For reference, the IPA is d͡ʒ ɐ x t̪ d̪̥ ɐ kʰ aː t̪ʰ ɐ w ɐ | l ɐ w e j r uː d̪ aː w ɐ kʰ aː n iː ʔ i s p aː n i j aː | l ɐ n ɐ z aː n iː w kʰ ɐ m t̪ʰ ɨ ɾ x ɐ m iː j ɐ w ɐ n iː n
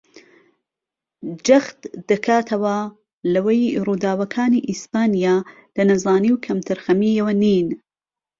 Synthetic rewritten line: d͡ʒ ɐ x t̪ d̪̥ ɐ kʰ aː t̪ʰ ɐ w ɐ | l ɐ w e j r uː d̪ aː w ɐ kʰ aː n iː ʔ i s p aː n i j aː | l ɐ n ɐ z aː n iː w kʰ ɐ m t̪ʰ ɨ ɾ x ɐ m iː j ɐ w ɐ n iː n